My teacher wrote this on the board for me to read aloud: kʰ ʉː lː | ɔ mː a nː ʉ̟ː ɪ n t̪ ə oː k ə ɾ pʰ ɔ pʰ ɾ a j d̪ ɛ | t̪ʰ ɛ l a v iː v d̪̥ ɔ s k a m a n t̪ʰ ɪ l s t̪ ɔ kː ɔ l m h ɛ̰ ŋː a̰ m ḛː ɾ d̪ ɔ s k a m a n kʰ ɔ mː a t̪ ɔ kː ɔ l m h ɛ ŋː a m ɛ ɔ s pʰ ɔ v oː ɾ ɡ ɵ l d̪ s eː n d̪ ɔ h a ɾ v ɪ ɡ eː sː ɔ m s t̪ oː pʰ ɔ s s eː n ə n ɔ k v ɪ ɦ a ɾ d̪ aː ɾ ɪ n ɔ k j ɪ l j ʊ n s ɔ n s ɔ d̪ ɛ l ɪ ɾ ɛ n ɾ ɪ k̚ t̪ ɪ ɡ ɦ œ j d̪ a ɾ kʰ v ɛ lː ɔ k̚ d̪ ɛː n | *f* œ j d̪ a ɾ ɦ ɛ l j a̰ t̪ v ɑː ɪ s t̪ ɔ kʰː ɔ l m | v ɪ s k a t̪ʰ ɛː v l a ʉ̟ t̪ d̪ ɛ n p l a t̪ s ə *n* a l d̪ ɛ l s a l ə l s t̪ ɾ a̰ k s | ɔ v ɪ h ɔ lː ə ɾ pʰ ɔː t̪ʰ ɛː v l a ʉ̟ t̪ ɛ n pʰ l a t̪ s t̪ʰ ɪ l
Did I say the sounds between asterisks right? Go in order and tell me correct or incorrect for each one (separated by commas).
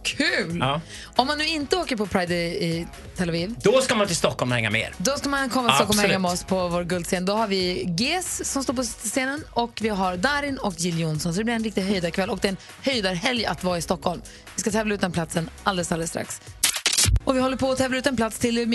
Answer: incorrect, correct